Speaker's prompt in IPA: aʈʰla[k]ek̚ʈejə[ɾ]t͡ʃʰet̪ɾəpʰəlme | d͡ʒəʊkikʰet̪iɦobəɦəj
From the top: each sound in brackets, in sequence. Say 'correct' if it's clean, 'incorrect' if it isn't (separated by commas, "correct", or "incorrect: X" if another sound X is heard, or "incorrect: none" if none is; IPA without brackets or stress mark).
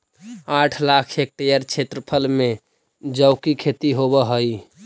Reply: incorrect: kʰ, correct